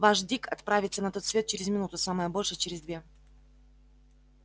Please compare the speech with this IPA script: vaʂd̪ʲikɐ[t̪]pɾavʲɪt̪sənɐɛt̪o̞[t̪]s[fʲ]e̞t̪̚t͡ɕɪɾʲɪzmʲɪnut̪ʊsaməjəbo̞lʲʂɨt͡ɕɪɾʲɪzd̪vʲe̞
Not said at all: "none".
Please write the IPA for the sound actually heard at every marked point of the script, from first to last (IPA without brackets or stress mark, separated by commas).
t̪, t̪, vʲ